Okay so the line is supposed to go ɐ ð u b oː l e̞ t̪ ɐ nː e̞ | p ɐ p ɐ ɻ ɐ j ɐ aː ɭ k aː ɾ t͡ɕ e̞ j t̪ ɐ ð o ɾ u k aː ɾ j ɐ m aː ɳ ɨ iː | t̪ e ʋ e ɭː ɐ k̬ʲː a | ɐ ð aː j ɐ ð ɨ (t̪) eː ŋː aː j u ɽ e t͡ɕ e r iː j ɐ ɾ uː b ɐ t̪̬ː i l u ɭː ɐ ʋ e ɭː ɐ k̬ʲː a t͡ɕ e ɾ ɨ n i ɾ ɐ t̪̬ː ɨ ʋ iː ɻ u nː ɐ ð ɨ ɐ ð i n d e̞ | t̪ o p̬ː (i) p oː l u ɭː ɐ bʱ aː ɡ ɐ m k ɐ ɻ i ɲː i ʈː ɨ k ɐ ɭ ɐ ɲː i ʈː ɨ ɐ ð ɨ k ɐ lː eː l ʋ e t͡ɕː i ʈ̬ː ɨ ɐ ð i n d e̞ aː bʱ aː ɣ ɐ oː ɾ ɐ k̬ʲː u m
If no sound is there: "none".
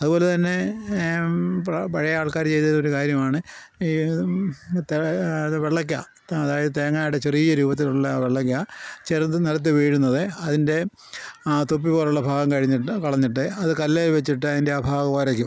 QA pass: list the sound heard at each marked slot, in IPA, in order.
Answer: t̪, i

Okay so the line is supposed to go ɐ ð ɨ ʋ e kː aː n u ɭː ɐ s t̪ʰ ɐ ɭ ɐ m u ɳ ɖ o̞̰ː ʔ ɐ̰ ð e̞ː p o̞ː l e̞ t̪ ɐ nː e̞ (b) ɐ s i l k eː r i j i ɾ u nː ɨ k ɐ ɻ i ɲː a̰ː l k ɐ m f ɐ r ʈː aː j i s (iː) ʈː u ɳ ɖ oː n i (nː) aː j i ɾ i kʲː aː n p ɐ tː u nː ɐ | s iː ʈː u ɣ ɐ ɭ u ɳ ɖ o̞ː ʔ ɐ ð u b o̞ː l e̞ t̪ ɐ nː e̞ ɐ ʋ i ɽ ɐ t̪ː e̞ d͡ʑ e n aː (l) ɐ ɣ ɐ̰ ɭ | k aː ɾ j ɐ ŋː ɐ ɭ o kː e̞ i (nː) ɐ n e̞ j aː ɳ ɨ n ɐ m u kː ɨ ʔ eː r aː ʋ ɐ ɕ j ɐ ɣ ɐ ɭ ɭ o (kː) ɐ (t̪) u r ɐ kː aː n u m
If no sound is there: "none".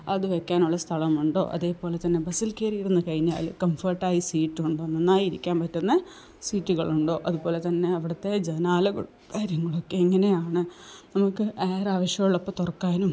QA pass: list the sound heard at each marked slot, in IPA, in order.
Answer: b, iː, nː, l, ŋː, pː, t̪

